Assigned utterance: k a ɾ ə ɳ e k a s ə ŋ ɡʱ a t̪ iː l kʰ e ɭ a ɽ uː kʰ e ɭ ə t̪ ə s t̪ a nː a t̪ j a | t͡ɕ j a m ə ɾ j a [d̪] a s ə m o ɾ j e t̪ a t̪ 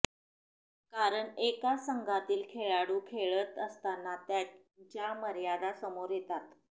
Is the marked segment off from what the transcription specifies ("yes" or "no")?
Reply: no